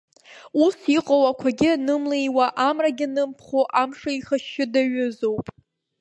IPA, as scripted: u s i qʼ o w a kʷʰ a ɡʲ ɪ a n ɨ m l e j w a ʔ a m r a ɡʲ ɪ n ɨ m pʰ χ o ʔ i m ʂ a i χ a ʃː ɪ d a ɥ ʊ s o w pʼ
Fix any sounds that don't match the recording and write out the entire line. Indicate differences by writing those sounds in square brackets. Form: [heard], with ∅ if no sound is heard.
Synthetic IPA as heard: u s i qʼ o w a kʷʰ a ɡʲ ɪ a n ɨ m l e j w a ʔ a m r a ɡʲ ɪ n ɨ m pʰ χ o ʔ [a] m ʂ a i χ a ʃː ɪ d a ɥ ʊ [z] o w pʼ